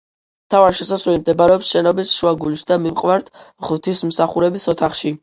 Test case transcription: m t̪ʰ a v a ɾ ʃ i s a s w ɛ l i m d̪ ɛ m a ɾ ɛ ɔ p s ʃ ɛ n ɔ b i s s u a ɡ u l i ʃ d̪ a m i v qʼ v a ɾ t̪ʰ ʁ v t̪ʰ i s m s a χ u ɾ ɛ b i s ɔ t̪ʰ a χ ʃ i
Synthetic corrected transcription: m t̪ʰ a v a ɾ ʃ ɛ s a s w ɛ l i m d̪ ɛ b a ɾ ɛ ɔ p s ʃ ɛ n ɔ b i s ʃ u a ɡ u l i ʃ d̪ a m i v qʼ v a ɾ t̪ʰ ʁ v t̪ʰ i s m s a χ u ɾ ɛ b i s ɔ t̪ʰ a χ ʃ i